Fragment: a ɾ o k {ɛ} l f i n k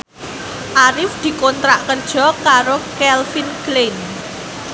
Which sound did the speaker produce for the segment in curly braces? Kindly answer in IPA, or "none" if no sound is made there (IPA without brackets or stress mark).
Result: ɛ